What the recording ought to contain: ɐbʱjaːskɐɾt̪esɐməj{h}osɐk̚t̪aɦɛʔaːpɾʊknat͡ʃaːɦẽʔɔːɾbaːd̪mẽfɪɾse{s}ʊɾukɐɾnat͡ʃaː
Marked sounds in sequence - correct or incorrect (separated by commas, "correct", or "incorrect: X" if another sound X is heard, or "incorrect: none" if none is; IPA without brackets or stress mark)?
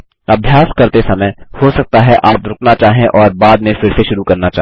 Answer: correct, incorrect: ʃ